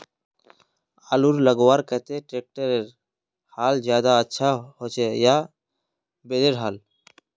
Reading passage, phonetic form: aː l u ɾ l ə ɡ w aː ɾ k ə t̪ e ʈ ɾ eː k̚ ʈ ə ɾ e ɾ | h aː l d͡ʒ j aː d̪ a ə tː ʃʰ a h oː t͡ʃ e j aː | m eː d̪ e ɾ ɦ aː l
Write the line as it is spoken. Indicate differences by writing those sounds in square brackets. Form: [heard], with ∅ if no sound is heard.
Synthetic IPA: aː l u ɾ l ə ɡ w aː ɾ k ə t̪ e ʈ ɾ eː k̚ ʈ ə ɾ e ɾ | h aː l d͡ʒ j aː d̪ a ə tː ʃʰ a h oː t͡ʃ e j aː | [b] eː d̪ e ɾ ɦ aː l